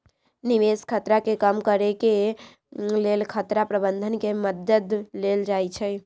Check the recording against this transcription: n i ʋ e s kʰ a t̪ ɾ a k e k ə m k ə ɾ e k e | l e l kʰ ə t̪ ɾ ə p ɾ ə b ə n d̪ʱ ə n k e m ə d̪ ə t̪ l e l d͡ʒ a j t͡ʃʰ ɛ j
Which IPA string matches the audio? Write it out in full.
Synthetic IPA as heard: n i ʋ e s kʰ ə t̪ ɾ a k e k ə m k ə ɾ e k e | l e l kʰ ə t̪ ɾ a p ɾ ə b ə n d̪ʱ ə n k e m ə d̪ ə d̪ l e l d͡ʒ a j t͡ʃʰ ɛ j